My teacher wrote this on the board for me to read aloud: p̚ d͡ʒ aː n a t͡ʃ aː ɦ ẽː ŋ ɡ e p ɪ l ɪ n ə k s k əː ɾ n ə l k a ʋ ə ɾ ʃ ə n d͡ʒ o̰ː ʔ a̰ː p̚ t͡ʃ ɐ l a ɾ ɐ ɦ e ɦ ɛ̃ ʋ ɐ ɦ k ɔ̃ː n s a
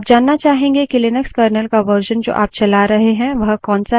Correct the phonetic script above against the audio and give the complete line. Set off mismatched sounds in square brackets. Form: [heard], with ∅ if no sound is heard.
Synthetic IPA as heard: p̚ d͡ʒ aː [nː] a t͡ʃ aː ɦ ẽː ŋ ɡ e [k] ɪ l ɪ n ə k s k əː ɾ n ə l k a ʋ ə ɾ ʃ ə n d͡ʒ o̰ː ʔ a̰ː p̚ t͡ʃ ɐ l a ɾ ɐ ɦ e ɦ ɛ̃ ʋ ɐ ɦ k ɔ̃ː n s a